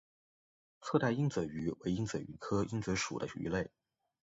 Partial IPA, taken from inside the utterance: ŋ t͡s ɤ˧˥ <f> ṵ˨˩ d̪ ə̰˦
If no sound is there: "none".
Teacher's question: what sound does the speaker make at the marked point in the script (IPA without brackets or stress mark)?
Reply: ʂ